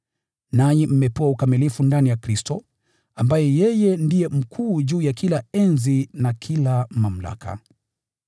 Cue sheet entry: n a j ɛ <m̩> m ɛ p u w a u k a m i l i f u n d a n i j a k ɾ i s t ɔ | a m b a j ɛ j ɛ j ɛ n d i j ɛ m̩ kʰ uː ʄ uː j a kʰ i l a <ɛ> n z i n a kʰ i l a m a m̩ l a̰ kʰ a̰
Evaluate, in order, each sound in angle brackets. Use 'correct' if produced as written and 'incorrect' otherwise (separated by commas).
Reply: correct, correct